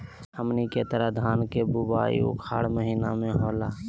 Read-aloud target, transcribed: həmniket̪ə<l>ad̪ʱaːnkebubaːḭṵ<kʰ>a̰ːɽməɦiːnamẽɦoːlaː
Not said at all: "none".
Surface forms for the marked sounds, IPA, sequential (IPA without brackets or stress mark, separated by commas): ɾ, kʰ